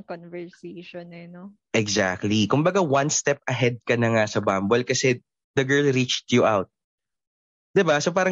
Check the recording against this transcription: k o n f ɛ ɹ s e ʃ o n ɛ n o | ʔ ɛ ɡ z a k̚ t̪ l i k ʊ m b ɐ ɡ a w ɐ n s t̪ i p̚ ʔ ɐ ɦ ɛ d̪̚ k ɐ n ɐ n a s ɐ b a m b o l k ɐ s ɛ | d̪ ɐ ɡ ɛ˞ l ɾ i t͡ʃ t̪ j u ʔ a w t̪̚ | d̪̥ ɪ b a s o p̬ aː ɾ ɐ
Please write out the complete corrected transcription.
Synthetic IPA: k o n v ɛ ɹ s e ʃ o n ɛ n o | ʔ ɛ ɡ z a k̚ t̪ l i k ʊ m b ɐ ɡ a w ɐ n s t̪ ɛ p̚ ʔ ɐ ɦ ɛ d̪̚ k ɐ n ɐ ŋ a s ɐ b a m b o l k ɐ s ɛ | d̪ ɐ ɡ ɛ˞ l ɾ i t͡ʃ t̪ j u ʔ a w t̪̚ | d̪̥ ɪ b a s o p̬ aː ɾ ɐ